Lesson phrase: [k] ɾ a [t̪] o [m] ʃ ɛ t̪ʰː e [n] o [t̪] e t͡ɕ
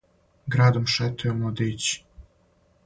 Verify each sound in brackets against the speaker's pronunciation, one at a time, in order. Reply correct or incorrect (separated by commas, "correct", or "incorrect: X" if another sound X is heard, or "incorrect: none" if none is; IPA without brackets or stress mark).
incorrect: ɡ, incorrect: d̪, correct, incorrect: m, incorrect: d̪